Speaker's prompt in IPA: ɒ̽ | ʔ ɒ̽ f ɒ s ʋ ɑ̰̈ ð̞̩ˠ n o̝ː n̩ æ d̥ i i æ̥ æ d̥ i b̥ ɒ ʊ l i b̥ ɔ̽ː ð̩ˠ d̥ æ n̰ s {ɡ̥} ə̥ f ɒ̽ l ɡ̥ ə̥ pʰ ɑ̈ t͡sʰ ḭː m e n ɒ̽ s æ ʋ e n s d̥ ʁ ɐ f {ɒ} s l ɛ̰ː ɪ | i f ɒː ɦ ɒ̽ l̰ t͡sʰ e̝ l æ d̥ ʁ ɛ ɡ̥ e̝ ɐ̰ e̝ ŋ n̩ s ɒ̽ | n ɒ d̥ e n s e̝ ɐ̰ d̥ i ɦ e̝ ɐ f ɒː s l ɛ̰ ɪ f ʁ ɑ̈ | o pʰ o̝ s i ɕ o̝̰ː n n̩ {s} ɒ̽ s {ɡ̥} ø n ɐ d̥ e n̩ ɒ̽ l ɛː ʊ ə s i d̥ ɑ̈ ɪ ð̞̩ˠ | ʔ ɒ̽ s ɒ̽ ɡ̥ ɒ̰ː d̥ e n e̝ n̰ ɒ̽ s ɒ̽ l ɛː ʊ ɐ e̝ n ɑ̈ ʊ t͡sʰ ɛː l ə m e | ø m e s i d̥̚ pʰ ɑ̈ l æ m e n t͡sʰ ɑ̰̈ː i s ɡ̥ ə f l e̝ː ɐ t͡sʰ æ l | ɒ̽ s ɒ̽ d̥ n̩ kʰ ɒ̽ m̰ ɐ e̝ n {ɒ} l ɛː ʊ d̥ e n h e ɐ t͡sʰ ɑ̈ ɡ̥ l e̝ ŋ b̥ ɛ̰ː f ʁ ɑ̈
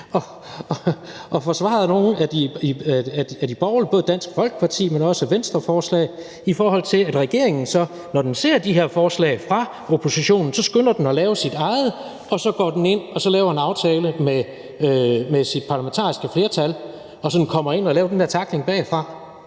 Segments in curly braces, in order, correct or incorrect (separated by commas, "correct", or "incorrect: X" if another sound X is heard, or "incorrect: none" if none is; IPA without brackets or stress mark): correct, incorrect: ɒː, correct, correct, correct